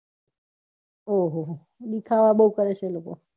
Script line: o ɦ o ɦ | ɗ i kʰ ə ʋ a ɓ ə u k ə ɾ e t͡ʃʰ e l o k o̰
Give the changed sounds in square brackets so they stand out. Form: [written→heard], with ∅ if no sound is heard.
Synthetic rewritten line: o ɦ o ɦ | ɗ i kʰ [ə→a] ʋ a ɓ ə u k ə ɾ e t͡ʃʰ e l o k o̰